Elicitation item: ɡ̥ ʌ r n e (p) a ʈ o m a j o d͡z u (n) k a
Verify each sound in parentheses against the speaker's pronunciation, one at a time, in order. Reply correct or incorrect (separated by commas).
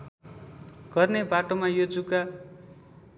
incorrect, incorrect